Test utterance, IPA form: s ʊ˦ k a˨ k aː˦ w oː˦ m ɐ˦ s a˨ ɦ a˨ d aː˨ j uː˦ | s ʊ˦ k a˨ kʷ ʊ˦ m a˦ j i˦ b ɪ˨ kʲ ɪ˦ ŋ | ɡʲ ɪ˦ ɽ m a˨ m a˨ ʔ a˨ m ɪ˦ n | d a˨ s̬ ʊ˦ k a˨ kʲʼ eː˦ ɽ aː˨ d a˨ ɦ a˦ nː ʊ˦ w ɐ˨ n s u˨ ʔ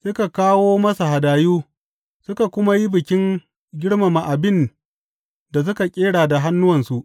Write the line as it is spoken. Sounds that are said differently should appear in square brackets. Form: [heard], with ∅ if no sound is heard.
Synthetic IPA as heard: s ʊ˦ k a˨ k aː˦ w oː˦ m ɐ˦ s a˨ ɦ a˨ d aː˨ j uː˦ | s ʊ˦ k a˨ kʷ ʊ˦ m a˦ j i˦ b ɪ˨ kʲ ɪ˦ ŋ | ɡʲ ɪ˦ ɽ m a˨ m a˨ ʔ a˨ [b] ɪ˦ n | d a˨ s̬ ʊ˦ k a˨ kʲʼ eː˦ ɽ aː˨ d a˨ ɦ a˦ nː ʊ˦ w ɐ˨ n s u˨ ʔ